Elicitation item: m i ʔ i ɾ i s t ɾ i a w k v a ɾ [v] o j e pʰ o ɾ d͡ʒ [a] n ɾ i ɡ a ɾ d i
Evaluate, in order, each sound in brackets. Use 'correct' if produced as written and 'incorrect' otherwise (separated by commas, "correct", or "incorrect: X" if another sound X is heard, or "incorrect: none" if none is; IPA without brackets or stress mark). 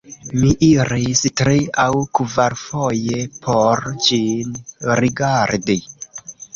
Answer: incorrect: f, incorrect: i